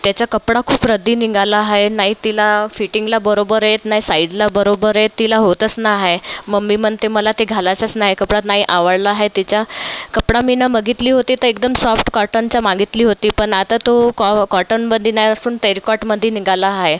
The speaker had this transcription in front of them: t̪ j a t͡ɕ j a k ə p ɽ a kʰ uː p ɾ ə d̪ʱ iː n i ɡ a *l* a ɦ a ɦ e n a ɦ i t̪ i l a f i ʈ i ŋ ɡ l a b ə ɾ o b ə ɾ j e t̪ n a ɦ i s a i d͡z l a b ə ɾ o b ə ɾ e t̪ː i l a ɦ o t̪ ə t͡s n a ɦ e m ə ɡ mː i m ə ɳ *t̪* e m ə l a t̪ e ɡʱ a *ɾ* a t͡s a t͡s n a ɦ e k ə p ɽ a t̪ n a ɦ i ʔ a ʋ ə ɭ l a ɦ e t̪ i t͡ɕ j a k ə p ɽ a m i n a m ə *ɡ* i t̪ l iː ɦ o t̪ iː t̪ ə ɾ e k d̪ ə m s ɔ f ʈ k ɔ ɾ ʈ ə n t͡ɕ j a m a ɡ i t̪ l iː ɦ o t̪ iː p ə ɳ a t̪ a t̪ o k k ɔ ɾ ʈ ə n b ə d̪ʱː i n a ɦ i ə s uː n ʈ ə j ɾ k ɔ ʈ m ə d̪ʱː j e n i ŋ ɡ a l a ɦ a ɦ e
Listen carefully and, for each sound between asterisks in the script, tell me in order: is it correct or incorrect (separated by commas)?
correct, correct, incorrect, correct